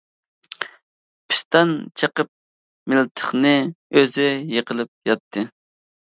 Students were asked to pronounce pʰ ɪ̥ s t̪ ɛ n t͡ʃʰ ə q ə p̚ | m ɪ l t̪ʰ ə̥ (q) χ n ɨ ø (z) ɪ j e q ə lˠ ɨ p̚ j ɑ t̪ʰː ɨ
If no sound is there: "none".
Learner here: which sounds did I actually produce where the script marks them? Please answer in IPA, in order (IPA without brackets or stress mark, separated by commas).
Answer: none, z